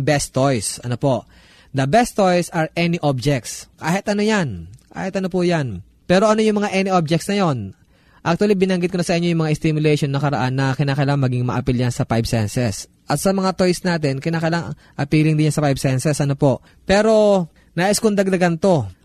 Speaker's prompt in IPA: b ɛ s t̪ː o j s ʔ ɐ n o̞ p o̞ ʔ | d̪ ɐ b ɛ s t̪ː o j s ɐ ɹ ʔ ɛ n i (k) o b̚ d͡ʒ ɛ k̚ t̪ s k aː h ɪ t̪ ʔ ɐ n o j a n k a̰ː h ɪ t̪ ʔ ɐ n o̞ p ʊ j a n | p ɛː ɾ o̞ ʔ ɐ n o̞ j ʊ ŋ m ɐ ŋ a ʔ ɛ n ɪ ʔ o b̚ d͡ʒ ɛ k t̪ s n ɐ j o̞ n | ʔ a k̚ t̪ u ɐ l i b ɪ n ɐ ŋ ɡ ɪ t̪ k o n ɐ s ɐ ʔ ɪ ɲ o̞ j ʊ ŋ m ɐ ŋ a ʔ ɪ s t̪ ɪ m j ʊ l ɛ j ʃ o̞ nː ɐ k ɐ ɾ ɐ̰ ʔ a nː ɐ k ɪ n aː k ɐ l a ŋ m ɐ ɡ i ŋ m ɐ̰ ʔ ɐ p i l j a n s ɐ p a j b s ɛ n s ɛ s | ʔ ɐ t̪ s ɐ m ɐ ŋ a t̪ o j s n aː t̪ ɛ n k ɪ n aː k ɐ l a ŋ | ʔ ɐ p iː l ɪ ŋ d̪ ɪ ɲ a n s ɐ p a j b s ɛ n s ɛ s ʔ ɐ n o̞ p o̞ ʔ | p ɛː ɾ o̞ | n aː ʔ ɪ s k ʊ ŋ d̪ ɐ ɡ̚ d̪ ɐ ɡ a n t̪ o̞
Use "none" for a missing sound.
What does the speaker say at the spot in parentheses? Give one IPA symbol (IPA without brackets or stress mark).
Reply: ʔ